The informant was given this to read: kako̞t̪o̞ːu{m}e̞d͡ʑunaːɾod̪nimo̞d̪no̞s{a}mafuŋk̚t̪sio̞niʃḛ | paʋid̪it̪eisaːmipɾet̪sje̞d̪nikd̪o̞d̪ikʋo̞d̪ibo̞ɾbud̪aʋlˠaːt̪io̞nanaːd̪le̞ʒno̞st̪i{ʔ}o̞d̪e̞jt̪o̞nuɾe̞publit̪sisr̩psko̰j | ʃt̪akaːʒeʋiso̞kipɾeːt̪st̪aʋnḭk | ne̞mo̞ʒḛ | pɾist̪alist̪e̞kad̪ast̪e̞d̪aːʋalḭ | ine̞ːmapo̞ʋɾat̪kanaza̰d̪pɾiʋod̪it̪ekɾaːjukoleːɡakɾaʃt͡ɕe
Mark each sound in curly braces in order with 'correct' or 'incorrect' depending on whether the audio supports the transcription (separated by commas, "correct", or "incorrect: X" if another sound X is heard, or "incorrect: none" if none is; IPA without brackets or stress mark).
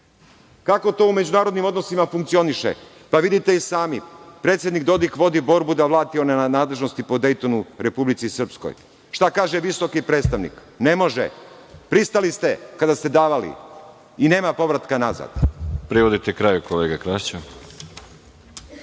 correct, incorrect: i, incorrect: p